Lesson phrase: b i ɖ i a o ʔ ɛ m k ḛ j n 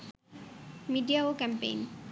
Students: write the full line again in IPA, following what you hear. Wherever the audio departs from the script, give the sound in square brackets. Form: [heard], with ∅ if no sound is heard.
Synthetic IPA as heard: [m] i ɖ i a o [k] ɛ m [p] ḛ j n